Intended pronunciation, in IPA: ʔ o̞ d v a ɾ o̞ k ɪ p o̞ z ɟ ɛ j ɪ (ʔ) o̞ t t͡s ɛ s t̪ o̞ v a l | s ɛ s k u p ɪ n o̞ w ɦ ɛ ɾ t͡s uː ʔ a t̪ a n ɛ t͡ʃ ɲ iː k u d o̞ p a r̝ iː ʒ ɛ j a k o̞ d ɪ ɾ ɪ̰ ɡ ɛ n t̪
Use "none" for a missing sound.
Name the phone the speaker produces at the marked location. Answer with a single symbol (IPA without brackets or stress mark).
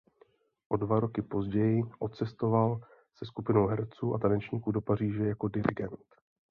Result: ʔ